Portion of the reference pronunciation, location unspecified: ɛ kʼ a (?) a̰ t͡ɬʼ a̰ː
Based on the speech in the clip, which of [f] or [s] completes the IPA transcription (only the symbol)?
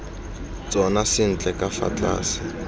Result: f